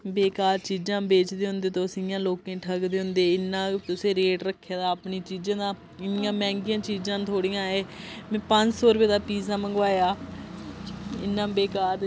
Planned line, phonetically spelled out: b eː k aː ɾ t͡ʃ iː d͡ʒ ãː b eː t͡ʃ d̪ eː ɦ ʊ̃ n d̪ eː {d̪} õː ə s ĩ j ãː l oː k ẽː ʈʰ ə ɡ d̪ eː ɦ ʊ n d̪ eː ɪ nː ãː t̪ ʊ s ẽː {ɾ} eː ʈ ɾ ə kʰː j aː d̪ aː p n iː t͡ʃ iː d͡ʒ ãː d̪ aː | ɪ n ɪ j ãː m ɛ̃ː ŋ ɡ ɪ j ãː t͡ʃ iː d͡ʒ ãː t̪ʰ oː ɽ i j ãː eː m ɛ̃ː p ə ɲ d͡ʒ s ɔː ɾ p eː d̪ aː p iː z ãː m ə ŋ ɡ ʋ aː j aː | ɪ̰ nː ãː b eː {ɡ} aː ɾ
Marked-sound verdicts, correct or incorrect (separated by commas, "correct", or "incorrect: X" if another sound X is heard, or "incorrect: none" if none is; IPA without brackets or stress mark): incorrect: t̪, correct, incorrect: k